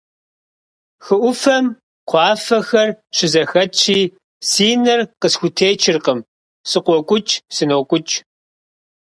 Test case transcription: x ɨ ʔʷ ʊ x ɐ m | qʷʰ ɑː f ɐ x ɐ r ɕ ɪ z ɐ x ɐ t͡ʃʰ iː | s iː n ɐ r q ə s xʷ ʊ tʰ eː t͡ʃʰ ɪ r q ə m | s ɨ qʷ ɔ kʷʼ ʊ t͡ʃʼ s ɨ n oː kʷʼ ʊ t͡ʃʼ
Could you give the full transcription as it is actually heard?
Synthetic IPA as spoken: x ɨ ʔʷ ʊ f ɐ m | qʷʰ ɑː f ɐ x ɐ r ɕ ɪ z ɐ x ɐ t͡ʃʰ iː | s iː n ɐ r q ə s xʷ ʊ tʰ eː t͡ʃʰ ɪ r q ə m | s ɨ qʷ ɔ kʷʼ ʊ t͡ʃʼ s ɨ n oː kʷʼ ʊ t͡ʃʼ